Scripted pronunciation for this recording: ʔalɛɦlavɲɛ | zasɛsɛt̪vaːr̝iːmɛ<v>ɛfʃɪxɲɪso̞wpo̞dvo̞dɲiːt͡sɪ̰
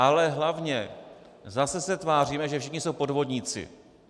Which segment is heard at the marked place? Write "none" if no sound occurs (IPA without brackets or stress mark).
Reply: ʒ